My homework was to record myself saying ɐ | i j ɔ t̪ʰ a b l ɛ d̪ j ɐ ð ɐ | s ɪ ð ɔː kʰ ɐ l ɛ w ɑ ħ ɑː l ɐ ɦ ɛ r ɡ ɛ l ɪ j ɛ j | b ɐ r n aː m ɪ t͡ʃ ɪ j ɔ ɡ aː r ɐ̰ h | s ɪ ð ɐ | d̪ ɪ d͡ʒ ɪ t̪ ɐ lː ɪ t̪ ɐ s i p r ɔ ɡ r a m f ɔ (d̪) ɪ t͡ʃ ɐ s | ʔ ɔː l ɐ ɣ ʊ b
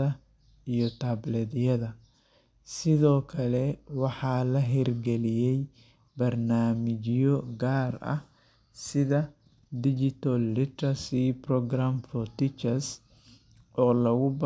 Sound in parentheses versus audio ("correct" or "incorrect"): incorrect